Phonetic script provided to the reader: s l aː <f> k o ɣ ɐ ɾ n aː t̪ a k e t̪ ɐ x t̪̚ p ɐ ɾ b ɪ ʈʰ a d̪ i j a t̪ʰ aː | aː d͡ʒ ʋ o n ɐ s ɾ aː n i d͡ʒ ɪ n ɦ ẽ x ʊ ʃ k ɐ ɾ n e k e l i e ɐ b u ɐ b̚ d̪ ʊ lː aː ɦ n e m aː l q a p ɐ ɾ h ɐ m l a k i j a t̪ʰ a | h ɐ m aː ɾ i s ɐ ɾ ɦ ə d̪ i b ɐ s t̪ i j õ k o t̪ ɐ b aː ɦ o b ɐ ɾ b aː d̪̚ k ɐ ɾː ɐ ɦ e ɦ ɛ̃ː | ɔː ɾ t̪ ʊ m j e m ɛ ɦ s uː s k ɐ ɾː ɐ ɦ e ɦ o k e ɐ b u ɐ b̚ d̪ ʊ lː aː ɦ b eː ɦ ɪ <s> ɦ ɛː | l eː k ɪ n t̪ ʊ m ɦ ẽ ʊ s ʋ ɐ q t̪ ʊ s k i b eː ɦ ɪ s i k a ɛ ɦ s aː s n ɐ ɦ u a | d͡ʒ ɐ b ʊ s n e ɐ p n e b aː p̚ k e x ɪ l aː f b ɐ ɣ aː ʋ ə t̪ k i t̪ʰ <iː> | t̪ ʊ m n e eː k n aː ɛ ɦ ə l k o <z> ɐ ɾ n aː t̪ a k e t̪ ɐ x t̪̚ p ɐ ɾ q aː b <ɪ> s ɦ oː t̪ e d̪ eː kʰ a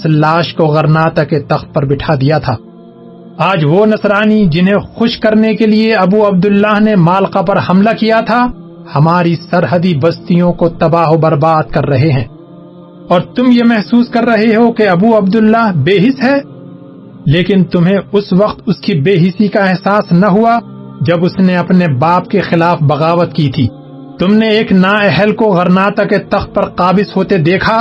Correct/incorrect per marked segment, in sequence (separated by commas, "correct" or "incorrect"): incorrect, correct, correct, incorrect, correct